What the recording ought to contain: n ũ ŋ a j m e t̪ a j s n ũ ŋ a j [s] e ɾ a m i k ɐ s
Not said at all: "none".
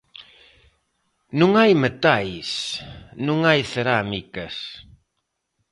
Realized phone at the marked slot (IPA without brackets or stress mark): θ